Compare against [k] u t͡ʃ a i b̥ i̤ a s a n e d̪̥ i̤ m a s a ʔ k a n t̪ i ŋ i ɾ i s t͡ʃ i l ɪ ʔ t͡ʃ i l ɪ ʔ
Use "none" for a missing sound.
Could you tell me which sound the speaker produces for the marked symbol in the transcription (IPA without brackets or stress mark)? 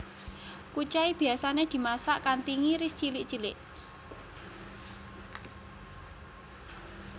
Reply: k